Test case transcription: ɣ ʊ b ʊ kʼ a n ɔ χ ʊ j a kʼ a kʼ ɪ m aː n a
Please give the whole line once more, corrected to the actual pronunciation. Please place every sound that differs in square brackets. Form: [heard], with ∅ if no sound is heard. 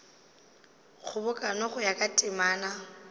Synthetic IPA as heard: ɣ ʊ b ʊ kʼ a n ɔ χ ʊ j a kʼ a [tʼ] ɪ m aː n a